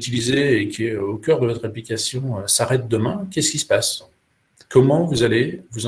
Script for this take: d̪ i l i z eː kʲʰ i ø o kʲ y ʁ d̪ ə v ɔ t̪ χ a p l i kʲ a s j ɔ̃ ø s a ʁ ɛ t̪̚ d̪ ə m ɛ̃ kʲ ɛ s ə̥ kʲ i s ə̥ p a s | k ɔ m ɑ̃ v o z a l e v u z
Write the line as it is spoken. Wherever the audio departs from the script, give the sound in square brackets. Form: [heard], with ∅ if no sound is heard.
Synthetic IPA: [t̪] i l i z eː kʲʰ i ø o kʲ [œ] ʁ d̪ ə v ɔ t̪ χ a p l i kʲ a s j ɔ̃ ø s a ʁ ɛ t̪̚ d̪ ə m ɛ̃ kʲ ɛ s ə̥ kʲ i s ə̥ p a s | k ɔ m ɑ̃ v [u] z a l e v u z